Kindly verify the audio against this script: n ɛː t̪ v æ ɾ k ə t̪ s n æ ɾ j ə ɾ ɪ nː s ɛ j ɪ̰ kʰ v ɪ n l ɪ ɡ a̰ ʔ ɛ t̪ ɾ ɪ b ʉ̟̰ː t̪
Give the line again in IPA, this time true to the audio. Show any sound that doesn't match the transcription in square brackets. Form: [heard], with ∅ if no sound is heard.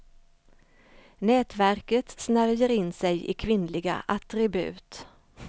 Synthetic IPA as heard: n ɛː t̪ v æ ɾ k ə t̪ s n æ ɾ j ə ɾ ɪ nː s ɛ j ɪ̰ kʰ v ɪ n l ɪ ɡ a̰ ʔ [a] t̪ ɾ ɪ b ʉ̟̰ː t̪